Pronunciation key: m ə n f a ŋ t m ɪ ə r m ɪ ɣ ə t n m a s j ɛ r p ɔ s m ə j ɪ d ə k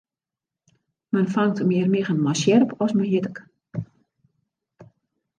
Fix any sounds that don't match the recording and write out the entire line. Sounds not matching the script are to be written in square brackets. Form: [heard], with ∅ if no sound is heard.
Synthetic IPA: m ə n f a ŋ t m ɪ ə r m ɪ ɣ ə [∅] n m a s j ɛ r p ɔ s m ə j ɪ [t] ə k

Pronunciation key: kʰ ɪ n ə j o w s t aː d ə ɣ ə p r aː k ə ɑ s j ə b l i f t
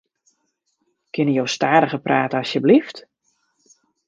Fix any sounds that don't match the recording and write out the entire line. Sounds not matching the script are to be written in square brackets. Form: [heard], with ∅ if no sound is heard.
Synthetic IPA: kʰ ɪ n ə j o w s t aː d ə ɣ ə p r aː [t] ə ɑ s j ə b l i f t

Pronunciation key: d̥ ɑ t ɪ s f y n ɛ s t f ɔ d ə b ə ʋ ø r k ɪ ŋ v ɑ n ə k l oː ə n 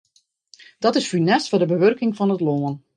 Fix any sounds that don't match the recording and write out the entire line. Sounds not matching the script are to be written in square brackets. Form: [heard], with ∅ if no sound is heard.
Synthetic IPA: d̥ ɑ t ɪ s f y n ɛ s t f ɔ d ə b ə ʋ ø r k ɪ ŋ v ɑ n ə [t] l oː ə n

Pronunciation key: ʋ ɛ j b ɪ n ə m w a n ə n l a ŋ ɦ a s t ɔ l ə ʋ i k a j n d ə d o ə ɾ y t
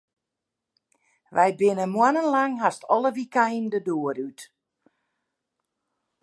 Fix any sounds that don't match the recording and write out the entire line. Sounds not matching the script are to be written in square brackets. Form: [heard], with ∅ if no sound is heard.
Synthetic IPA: ʋ ɛ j b ɪ n ə m w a n ə n l a ŋ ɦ a s t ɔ l ə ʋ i k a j n d ə d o ə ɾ y t

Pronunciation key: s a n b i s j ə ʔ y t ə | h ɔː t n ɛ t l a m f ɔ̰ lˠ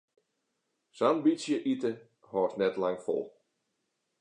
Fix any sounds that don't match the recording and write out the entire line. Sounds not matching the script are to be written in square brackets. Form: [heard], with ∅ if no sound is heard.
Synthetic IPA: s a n b i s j ə ʔ [i] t ə | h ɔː t n ɛ t l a [ŋ] f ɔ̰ lˠ

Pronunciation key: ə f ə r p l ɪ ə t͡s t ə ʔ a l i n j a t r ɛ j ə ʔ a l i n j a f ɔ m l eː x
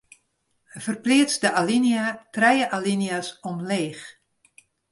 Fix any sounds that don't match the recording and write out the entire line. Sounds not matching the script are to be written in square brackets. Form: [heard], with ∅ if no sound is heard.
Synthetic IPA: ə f ə r p l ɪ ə t͡s [d] ə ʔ a l i n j a t r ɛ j ə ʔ a l i n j a [s] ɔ m l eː x

